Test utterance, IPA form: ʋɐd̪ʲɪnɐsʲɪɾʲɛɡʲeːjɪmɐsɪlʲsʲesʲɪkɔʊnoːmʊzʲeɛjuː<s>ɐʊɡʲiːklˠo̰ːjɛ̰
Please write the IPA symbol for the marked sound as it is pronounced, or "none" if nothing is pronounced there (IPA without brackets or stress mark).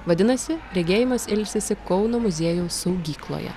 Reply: s